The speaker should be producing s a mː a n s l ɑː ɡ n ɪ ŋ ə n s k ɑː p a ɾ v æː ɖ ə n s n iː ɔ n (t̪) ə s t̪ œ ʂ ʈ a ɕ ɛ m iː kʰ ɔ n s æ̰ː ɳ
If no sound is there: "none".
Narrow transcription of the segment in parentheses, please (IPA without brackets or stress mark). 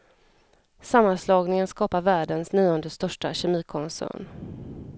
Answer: d̪